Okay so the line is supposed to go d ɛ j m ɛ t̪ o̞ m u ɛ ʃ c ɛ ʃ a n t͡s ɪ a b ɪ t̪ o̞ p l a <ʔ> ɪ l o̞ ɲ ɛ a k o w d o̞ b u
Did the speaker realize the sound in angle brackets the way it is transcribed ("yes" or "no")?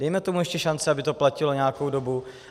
no